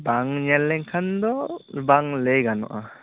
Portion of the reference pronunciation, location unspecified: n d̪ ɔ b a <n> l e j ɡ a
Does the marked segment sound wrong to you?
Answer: yes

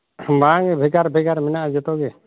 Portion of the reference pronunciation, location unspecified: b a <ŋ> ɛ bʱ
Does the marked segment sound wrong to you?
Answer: no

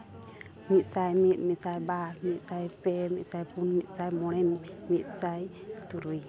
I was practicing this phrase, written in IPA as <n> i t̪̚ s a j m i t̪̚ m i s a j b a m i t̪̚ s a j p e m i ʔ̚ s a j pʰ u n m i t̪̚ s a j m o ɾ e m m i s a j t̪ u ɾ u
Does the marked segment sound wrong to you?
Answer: yes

